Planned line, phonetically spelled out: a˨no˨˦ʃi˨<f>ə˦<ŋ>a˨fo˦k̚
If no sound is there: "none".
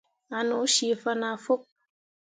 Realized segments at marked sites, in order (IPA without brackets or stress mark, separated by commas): f, n